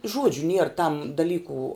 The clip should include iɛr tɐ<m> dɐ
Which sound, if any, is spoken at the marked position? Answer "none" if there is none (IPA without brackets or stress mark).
m